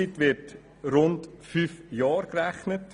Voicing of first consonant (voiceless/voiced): voiceless